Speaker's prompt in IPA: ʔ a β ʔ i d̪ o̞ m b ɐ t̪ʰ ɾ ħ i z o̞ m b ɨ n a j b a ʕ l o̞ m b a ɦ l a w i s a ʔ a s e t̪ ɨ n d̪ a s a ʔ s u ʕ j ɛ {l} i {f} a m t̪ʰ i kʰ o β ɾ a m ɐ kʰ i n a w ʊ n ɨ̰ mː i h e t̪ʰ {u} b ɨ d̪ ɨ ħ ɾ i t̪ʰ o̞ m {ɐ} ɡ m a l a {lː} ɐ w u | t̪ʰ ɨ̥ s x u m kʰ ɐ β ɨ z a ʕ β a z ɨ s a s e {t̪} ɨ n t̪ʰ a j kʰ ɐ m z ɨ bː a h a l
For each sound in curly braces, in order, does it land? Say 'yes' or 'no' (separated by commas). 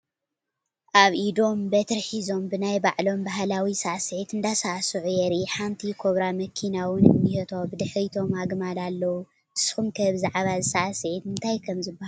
no, no, no, no, yes, yes